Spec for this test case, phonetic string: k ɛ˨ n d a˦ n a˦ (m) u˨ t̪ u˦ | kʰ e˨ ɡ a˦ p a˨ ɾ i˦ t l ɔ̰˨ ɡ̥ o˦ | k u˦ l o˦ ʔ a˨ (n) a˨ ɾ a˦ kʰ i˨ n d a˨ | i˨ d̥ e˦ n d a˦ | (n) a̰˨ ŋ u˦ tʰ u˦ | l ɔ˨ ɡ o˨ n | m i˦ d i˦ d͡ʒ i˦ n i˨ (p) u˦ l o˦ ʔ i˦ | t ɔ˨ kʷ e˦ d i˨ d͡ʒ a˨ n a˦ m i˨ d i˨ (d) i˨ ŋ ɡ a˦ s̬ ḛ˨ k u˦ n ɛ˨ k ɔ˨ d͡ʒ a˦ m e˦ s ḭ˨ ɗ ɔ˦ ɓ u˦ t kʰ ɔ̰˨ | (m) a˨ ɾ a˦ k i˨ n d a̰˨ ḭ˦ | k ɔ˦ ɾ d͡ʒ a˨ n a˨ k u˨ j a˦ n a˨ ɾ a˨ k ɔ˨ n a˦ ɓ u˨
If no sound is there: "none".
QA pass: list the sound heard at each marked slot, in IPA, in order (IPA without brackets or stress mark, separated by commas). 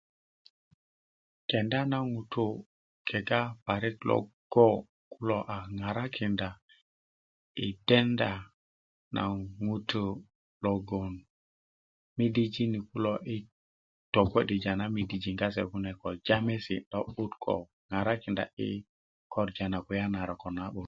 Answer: ŋ, ŋ, n, k, d͡ʒ, ŋ